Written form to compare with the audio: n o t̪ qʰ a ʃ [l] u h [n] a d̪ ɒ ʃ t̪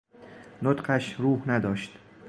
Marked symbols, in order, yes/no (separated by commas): no, yes